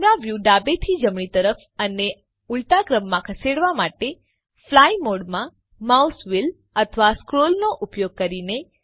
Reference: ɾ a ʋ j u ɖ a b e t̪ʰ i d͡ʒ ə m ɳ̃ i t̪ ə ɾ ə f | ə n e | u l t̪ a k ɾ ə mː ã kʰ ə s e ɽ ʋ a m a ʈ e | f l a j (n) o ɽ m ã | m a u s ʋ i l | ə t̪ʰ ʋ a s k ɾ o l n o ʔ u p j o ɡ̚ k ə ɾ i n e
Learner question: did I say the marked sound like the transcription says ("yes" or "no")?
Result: no